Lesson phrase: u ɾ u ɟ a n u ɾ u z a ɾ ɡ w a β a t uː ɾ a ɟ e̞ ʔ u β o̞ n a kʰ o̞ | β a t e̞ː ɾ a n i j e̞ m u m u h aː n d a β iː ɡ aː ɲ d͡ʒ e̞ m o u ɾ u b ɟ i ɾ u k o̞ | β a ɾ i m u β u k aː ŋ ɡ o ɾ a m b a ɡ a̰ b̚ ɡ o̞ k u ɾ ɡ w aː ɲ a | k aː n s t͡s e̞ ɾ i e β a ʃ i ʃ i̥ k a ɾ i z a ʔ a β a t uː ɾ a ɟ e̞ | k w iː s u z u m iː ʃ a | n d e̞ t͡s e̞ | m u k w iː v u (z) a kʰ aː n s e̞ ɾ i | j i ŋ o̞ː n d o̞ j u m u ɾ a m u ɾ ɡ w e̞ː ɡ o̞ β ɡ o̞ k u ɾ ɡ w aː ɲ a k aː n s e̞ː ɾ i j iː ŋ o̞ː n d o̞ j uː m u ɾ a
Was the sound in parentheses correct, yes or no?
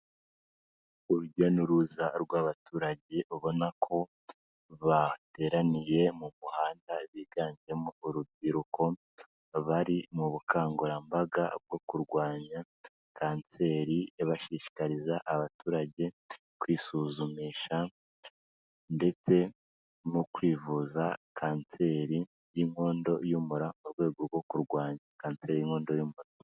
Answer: yes